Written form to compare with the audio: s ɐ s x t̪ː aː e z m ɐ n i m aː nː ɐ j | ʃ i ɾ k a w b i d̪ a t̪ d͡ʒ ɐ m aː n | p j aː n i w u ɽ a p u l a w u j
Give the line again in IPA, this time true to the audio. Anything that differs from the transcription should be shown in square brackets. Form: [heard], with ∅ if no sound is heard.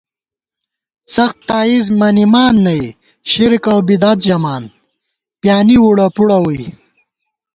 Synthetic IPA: s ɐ [∅] x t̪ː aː [i] z m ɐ n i m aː nː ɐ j | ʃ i ɾ k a w b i d̪ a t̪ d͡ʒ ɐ m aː n | p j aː n i w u ɽ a p u [ɽ] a w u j

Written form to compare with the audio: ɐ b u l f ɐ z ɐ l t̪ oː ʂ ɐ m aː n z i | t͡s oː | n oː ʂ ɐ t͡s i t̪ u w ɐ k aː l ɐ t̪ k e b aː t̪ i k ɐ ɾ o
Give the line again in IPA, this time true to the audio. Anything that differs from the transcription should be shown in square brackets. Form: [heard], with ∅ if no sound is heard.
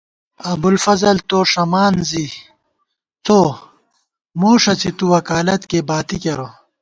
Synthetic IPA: ɐ b u l f ɐ z ɐ l t̪ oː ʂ ɐ m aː n z i | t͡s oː | [m] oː ʂ ɐ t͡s i t̪ u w ɐ k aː l ɐ t̪ k e b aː t̪ i k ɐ ɾ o

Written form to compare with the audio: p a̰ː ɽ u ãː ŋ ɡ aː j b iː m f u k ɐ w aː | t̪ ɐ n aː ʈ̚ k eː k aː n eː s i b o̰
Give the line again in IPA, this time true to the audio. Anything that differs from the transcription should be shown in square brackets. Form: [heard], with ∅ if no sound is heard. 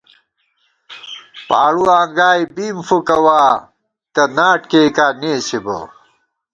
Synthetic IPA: p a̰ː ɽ u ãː ŋ ɡ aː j b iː m f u k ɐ w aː | t̪ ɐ n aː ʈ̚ k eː k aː n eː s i b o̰

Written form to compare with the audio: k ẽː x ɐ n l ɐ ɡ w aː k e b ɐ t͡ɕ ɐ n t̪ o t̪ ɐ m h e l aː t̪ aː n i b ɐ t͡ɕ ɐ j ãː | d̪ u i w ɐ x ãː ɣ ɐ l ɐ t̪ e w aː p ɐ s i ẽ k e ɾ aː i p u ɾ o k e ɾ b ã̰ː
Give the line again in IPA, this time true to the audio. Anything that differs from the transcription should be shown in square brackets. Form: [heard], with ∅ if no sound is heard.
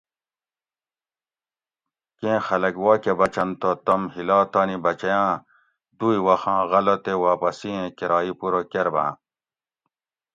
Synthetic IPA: k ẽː x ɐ [∅] l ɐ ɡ w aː k e b ɐ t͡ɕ ɐ n t̪ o t̪ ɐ m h [i] l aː t̪ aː n i b ɐ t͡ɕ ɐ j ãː | d̪ u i w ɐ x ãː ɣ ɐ l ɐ t̪ e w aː p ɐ s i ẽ k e ɾ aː i p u ɾ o k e ɾ b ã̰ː

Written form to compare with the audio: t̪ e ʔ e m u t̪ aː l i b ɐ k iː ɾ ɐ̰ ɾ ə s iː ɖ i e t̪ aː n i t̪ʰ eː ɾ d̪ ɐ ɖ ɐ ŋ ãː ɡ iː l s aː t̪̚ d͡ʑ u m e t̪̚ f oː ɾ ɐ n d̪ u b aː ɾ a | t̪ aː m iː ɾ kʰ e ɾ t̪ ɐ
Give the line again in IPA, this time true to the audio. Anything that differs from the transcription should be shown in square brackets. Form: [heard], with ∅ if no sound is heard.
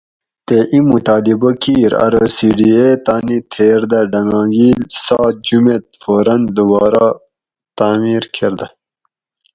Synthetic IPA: t̪ e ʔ [i] m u t̪ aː l i b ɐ k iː ɾ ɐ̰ ɾ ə s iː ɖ i e t̪ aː n i t̪ʰ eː ɾ d̪ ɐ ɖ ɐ ŋ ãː ɡ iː l s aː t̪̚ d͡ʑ u m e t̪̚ f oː ɾ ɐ n d̪ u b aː ɾ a | t̪ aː m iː ɾ kʰ e ɾ [d̪] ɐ

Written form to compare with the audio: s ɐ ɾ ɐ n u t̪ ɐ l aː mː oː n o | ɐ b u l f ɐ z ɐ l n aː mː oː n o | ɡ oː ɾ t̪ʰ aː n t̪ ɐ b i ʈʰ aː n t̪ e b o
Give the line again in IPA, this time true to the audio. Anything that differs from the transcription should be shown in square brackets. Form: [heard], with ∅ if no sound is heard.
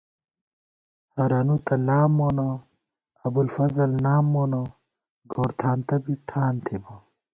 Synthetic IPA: [h] ɐ ɾ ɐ n u t̪ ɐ l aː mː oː n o | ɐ b u l f ɐ z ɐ l n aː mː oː n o | ɡ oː ɾ t̪ʰ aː n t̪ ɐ b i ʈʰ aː n [t̪ʰ] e b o

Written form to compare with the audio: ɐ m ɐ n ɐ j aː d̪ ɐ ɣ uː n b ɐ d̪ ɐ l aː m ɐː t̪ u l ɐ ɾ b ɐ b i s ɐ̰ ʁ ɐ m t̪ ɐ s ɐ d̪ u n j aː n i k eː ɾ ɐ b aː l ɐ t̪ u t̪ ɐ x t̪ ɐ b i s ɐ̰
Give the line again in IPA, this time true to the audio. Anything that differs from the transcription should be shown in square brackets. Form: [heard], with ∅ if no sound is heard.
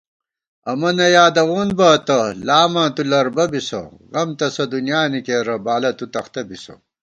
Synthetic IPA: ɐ m ɐ n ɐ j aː d̪ ɐ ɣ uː n b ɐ [t̪] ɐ l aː m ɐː t̪ u l ɐ ɾ b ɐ b i s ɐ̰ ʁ ɐ m t̪ ɐ s ɐ d̪ u n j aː n i k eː ɾ ɐ b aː l ɐ t̪ u t̪ ɐ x t̪ ɐ b i s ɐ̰

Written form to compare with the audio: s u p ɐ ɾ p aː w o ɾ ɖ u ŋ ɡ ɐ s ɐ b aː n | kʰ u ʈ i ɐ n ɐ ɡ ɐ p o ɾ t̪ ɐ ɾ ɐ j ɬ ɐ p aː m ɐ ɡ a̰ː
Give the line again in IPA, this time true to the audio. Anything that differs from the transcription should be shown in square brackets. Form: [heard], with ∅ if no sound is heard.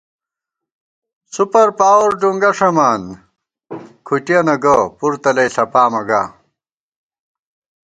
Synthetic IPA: s u p ɐ ɾ p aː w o ɾ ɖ u ŋ ɡ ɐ [ʂ] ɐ [m] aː n | kʰ u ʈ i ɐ n ɐ ɡ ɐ p [u] ɾ t̪ ɐ [l] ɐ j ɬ ɐ p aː m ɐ ɡ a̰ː

